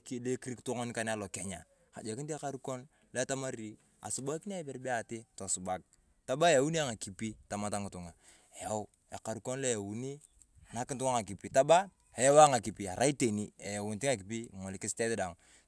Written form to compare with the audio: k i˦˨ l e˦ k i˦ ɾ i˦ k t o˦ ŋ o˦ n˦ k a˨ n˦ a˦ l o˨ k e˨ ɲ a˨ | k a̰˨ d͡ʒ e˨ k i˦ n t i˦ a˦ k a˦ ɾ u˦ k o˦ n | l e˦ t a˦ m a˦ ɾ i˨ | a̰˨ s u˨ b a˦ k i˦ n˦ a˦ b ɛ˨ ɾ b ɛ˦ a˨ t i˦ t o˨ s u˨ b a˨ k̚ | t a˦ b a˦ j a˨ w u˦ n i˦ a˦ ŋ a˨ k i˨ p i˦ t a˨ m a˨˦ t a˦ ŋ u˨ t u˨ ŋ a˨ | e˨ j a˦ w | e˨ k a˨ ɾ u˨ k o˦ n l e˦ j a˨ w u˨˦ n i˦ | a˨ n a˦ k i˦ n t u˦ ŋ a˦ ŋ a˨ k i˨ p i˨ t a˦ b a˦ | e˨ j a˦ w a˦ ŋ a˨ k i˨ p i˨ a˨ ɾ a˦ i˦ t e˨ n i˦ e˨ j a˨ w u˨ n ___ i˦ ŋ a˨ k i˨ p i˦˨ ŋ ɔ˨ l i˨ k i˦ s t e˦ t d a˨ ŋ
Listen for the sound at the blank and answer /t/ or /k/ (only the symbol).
t